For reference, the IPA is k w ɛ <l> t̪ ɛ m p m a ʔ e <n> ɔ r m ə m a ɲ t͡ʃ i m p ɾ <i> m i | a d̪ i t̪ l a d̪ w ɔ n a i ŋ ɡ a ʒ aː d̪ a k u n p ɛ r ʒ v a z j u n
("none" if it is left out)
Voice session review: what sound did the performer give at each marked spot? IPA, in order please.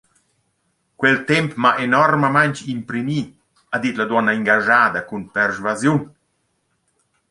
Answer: l, n, i

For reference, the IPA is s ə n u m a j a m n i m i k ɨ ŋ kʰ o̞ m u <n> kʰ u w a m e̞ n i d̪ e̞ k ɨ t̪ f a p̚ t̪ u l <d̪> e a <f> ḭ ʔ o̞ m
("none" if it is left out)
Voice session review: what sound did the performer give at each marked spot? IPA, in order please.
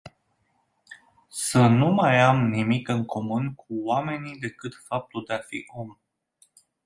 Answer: n, d̪, f

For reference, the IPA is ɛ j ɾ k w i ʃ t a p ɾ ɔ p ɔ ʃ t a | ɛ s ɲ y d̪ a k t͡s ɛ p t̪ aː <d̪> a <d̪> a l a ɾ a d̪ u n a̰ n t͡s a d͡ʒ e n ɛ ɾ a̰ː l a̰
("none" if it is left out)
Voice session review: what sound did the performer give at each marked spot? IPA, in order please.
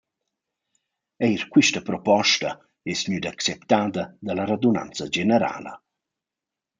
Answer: d̪, d̪

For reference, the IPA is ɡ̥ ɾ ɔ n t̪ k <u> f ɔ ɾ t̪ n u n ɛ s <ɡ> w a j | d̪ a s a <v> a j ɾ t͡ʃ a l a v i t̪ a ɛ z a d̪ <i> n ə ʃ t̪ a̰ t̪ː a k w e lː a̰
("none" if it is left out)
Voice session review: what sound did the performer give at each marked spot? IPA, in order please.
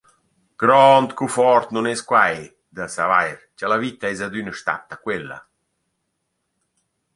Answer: u, k, v, y

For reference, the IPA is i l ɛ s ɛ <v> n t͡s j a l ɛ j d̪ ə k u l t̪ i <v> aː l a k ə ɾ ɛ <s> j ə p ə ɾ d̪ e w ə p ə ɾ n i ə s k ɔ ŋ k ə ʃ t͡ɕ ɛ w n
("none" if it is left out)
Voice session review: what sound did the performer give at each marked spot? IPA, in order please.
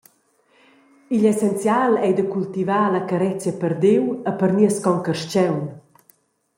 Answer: none, v, t͡s

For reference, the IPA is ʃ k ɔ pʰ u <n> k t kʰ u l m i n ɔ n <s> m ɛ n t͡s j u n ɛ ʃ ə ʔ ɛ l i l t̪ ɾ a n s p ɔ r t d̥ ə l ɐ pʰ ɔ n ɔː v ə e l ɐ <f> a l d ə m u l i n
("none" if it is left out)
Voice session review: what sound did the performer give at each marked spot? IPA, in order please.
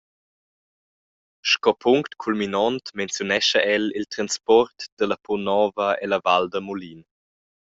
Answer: ŋ, t, v

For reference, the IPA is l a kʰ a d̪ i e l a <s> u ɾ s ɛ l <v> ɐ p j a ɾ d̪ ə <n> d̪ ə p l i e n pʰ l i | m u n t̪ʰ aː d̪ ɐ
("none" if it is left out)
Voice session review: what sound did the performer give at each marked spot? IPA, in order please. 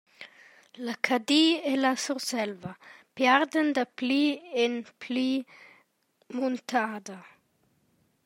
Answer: s, v, n

